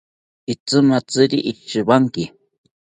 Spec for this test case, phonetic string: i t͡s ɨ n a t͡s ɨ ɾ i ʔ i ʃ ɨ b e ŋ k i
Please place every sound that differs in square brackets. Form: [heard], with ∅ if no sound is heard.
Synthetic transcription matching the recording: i t͡s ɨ [m] a t͡s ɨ ɾ i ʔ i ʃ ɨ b [a] ŋ k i